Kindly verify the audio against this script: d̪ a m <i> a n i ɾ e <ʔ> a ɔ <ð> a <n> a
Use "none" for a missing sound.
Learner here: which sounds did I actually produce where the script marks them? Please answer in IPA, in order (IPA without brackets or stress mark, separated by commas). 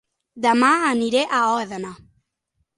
a, ʔ, ð, n